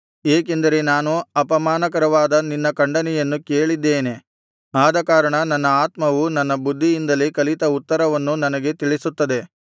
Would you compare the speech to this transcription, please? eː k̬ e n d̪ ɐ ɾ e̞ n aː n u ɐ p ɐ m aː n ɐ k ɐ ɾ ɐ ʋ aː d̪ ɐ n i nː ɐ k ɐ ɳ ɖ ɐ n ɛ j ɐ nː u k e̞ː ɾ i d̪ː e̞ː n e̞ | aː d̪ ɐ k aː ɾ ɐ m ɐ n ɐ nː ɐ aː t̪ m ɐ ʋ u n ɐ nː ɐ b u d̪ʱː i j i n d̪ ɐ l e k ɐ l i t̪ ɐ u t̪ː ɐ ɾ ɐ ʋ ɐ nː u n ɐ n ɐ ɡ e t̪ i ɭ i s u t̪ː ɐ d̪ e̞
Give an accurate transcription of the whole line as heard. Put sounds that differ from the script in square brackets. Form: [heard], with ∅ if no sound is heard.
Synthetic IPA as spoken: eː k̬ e n d̪ ɐ ɾ e̞ n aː n u ɐ p ɐ m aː n ɐ k ɐ ɾ ɐ ʋ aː d̪ ɐ n i nː ɐ k ɐ ɳ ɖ ɐ n ɛ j ɐ nː u k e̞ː [ɭ] i d̪ː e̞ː n e̞ | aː d̪ ɐ k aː ɾ ɐ [ɳ] ɐ n ɐ nː ɐ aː t̪ m ɐ ʋ u n ɐ nː ɐ b u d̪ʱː i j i n d̪ ɐ l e k ɐ l i t̪ ɐ u t̪ː ɐ ɾ ɐ ʋ ɐ nː u n ɐ n ɐ ɡ e t̪ i ɭ i s u t̪ː ɐ d̪ e̞